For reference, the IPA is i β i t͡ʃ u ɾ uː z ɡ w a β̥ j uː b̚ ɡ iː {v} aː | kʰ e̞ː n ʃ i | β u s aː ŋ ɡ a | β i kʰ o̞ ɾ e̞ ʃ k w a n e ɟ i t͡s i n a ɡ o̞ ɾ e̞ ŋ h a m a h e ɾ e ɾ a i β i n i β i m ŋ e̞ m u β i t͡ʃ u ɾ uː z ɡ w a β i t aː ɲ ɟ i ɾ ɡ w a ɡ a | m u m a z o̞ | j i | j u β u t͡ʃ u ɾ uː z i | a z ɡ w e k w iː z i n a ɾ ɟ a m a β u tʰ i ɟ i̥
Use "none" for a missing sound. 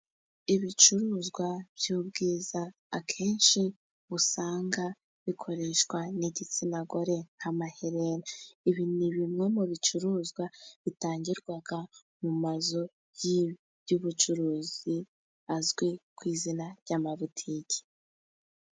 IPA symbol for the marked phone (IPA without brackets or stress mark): z